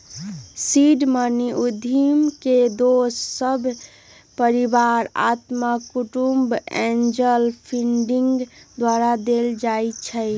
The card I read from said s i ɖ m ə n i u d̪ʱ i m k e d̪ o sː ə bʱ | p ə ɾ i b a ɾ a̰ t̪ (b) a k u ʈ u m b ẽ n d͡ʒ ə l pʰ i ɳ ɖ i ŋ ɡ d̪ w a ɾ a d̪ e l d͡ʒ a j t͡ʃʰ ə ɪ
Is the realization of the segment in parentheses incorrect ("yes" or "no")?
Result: yes